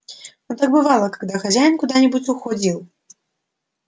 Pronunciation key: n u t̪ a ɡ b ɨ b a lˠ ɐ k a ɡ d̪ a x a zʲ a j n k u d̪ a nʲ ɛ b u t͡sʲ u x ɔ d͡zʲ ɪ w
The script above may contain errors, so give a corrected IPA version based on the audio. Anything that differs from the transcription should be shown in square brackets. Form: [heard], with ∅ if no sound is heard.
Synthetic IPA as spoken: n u t̪ a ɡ b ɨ [v] a lˠ ɐ k a ɡ d̪ a x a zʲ a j n k u d̪ a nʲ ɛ b u t͡sʲ u x ɔ d͡zʲ [i] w

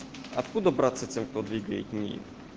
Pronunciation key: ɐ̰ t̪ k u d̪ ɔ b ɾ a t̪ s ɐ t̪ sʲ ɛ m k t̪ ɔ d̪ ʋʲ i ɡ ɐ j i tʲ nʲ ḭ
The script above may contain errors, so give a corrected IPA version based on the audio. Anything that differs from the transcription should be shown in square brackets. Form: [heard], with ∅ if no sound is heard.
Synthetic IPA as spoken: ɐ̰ t̪ k u d̪ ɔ b ɾ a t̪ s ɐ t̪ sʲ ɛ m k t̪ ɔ d̪ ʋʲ i ɡ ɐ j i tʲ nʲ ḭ

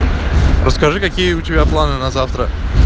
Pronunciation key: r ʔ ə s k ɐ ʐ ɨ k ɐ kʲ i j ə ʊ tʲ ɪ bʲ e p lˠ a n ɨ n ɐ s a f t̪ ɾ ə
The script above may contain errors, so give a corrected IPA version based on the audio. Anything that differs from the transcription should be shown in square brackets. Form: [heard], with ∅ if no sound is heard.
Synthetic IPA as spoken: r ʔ ə s k ɐ ʐ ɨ k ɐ kʲ i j ə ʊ tʲ ɪ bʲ [a] p lˠ a n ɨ n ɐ [z] a f t̪ ɾ ə

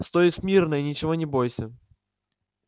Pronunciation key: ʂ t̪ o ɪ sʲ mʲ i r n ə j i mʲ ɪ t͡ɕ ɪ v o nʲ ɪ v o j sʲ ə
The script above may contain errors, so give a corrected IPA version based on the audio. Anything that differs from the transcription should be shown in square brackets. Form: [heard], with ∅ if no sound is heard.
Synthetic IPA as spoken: [s] t̪ o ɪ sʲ mʲ i r n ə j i [nʲ] ɪ t͡ɕ ɪ v o nʲ ɪ [b] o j sʲ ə

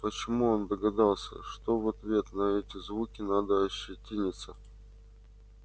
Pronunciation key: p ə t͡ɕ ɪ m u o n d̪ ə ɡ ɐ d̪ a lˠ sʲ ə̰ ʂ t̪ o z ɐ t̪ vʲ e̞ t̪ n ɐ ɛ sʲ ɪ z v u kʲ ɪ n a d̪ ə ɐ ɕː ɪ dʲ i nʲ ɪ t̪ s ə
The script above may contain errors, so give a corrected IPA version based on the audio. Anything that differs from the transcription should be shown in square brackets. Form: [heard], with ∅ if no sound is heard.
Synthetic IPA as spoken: p ə t͡ɕ ɪ m u o n d̪ ə ɡ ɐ d̪ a lˠ sʲ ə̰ ʂ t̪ o [v] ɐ t̪ vʲ e̞ t̪ n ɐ ɛ [tʲ] ɪ z v u kʲ ɪ n a d̪ ə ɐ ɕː ɪ [tʲ] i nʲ ɪ t̪ s ə

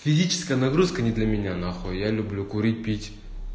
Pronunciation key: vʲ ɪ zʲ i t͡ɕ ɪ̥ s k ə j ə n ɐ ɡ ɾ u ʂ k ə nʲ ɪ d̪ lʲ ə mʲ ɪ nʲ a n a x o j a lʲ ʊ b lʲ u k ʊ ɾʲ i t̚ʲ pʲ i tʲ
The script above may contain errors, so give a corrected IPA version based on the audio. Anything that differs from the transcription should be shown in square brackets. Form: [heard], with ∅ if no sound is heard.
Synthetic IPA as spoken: [fʲ] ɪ zʲ i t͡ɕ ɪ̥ s k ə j ə n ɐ ɡ ɾ u [s] k ə nʲ ɪ d̪ lʲ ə mʲ ɪ nʲ a n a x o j a lʲ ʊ b lʲ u k ʊ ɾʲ i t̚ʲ pʲ i tʲ

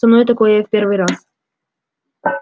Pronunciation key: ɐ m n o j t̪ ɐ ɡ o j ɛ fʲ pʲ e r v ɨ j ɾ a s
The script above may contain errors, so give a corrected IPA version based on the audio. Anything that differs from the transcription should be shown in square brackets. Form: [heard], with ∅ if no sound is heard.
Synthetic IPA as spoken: ɐ m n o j t̪ ɐ [k] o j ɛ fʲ pʲ e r v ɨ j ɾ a s

